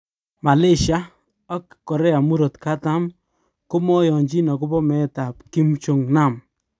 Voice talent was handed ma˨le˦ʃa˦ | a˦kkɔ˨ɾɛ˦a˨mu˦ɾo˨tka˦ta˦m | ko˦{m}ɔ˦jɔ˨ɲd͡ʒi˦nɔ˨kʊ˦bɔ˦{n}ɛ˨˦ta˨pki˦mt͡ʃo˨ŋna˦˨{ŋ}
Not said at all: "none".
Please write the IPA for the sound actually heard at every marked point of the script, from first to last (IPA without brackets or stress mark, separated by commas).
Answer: m, m, m